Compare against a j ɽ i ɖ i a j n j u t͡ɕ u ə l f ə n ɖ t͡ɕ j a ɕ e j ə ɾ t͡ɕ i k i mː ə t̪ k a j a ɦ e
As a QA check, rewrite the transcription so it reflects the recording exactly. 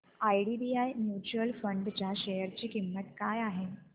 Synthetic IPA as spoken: a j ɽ i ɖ i a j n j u t͡ɕ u ə l f ə ɳ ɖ t͡ɕ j a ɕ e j ə ɾ t͡ɕ iː k i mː ə t̪ k a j a ɦ e